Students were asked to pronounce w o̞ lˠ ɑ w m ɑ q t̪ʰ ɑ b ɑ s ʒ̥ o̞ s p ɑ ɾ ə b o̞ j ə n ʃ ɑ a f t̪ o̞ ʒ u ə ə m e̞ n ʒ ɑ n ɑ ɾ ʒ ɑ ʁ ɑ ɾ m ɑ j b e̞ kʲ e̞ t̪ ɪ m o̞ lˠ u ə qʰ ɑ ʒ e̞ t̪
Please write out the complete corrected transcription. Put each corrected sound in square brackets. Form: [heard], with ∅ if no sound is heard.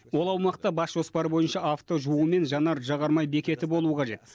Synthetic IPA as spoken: w o̞ lˠ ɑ w m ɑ q [t̪] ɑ b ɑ s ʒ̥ o̞ s p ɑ ɾ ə b o̞ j ə n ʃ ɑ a f t̪ o̞ ʒ u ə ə m e̞ n ʒ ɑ n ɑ ɾ ʒ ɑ ʁ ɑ ɾ m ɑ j b e̞ kʲ e̞ t̪ ɪ [b] o̞ lˠ u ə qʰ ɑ ʒ e̞ t̪